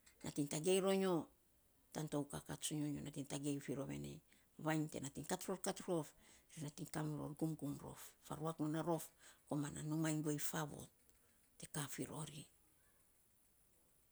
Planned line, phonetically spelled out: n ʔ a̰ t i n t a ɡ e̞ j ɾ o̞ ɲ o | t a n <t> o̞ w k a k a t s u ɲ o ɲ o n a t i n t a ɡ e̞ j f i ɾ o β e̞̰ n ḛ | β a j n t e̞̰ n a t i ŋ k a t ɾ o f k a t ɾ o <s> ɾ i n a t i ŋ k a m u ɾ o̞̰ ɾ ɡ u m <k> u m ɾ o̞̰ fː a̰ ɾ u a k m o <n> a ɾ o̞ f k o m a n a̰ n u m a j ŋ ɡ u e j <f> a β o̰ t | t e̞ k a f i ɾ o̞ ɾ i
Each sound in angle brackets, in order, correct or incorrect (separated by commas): correct, incorrect, incorrect, correct, correct